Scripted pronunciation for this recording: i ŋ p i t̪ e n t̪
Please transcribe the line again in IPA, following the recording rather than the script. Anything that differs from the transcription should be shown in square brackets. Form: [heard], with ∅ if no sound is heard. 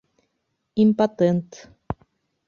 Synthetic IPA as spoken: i [m] p [a] t̪ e n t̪